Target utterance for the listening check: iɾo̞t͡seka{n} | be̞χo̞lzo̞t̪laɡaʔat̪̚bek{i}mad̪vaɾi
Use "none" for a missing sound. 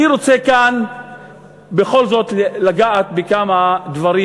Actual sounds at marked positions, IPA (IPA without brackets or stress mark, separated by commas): n, a